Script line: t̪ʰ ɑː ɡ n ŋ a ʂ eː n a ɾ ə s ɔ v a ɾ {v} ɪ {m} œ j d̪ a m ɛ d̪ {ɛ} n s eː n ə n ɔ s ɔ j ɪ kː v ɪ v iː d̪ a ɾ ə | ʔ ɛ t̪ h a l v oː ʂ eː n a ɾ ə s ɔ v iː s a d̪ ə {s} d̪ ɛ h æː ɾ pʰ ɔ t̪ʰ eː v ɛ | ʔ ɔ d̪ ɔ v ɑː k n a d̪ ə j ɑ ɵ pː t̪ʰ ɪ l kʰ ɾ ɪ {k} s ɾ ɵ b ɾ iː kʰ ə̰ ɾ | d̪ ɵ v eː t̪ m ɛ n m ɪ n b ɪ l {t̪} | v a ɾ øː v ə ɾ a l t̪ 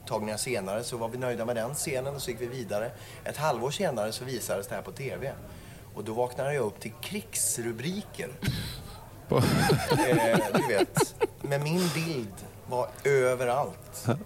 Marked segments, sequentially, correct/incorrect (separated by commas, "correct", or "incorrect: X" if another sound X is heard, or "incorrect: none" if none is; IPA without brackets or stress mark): correct, incorrect: n, correct, correct, correct, incorrect: d̪